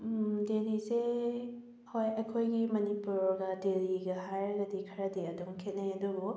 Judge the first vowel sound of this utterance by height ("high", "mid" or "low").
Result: mid